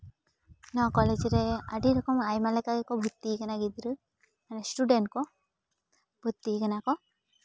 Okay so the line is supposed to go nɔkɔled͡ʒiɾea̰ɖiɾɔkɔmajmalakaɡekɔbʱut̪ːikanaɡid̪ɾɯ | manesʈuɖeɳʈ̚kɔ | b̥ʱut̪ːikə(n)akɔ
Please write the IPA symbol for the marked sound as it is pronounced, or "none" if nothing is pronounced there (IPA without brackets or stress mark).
n